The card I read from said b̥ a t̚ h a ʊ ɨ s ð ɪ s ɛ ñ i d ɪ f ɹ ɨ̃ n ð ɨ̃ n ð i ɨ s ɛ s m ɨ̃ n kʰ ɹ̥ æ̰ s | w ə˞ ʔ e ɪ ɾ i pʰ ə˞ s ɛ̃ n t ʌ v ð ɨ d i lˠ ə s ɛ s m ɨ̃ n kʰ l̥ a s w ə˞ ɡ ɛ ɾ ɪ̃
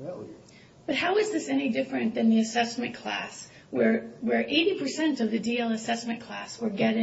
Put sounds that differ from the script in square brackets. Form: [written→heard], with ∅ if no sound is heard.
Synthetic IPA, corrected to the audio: b̥ [a→ʌ] t̚ h a ʊ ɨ [s→z] ð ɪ s ɛ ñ i d ɪ f ɹ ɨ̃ n ð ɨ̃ n ð i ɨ s ɛ s m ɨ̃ n kʰ [ɹ̥→l̥] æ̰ s | w ə˞ ʔ e ɪ ɾ i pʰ ə˞ s ɛ̃ n t ʌ v ð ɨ d i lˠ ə s ɛ s m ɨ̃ n kʰ l̥ [a→æ] s w ə˞ ɡ ɛ ɾ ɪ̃